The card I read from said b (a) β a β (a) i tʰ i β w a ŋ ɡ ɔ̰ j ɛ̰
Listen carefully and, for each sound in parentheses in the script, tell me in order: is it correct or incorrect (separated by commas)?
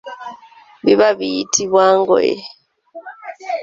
incorrect, incorrect